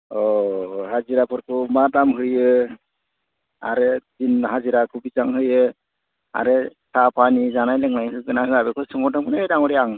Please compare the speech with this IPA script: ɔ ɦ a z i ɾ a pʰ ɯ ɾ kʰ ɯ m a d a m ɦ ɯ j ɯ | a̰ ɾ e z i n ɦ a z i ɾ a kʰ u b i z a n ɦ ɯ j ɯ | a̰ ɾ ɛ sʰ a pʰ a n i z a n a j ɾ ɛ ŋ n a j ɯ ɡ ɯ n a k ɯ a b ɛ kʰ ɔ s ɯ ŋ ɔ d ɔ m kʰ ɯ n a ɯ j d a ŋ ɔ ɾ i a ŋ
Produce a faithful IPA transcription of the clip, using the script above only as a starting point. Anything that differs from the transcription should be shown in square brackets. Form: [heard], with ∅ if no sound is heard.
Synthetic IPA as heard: ɔ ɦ a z i ɾ a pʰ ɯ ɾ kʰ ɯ m a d a m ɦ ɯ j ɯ | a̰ ɾ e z i n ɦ a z i ɾ a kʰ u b i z a [ŋ] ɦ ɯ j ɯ | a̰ ɾ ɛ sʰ a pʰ a n i z a n a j [l] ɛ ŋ n a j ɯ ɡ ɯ n a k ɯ a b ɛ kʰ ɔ s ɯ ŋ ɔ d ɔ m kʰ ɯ n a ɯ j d a ŋ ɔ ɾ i a ŋ